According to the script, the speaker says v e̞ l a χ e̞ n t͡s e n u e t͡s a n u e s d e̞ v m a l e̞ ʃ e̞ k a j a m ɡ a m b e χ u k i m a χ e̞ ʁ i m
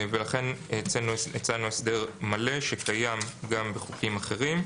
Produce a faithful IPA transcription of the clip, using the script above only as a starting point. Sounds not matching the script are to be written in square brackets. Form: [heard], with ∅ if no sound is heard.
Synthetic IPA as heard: v e̞ l a χ e̞ n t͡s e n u e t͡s a n u e s d e̞ [ʁ] m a l e̞ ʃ e̞ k a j a m ɡ a m b e χ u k i m a χ e̞ ʁ i m

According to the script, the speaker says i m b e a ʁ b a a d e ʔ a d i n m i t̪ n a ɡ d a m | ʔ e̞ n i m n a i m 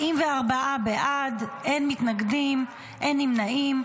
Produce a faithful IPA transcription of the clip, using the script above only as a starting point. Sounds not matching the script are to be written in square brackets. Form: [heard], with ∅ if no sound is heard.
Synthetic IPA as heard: i m [v] e a ʁ b a a [b] e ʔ a d [e] n m i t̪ n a ɡ d [i] m | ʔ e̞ n i m n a i m

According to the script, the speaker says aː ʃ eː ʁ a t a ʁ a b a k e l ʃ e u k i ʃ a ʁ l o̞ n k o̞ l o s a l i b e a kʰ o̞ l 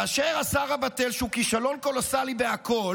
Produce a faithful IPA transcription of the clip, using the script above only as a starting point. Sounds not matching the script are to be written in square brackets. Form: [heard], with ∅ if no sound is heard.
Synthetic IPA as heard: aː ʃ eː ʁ a [s] a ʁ a b a [t] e l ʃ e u k i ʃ a [∅] l o̞ n k o̞ l o s a l i b e a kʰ o̞ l

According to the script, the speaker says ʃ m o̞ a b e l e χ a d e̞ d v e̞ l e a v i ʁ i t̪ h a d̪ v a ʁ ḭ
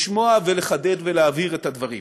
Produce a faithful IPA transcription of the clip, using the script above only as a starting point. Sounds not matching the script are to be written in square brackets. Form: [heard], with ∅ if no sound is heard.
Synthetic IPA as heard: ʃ m o̞ a [v] e l e χ a d e̞ d v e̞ l e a v i ʁ [e] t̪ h a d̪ v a ʁ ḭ

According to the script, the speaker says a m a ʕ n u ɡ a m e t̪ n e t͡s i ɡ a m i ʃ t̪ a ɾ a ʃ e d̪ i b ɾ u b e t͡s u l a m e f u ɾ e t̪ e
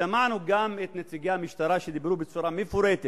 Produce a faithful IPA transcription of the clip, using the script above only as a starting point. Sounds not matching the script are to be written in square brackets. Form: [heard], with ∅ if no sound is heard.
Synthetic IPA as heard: a m a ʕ n u ɡ a m e t̪ n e t͡s i ɡ a m i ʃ t̪ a ɾ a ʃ e d̪ i b ɾ u b e t͡s u [ɾ] a m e f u ɾ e t̪ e

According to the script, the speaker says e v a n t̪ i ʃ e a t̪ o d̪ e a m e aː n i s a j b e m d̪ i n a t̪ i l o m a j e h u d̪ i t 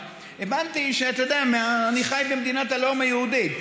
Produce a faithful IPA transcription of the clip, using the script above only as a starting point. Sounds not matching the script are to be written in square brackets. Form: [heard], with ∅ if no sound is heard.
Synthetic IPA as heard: e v a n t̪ i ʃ e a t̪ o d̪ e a m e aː n i [χ] a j b e m d̪ i n a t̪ [a] l o m a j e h u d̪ i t

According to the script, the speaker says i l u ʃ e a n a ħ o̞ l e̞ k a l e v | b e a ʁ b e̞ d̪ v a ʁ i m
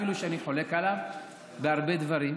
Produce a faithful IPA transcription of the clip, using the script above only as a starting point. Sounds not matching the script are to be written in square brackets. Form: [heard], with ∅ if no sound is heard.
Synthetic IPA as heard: i l u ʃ e a n [i] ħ o̞ l e̞ k a l [a] v | b e a ʁ b e̞ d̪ v a ʁ i m

